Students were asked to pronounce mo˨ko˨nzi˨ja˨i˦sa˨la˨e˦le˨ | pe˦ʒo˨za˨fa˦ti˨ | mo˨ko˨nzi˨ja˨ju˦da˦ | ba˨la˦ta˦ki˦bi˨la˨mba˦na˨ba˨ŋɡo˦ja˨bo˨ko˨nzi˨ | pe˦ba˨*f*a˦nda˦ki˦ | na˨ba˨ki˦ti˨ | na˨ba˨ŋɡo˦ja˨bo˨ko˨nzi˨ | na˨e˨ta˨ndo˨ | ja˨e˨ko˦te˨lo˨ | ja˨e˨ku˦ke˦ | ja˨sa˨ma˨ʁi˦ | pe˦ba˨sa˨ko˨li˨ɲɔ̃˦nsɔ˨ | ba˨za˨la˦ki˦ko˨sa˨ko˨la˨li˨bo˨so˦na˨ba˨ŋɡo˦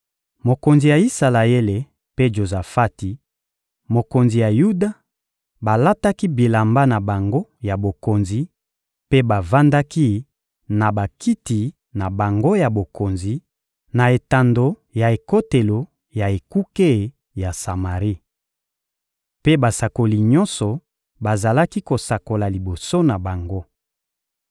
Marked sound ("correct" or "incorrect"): incorrect